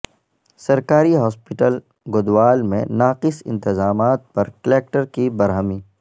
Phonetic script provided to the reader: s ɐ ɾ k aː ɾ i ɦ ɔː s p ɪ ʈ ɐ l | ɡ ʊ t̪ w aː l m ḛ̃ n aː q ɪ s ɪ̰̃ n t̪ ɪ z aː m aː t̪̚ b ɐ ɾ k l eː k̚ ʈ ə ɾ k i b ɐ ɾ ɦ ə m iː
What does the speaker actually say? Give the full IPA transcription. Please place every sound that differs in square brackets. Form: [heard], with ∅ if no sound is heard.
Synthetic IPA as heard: s ɐ ɾ k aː ɾ i ɦ ɔː s p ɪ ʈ [ə] l | ɡ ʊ [d̪] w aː l m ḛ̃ n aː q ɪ s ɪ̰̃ n t̪ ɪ z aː m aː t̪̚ [p] ɐ ɾ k l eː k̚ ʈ ə ɾ k i b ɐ ɾ ɦ ə m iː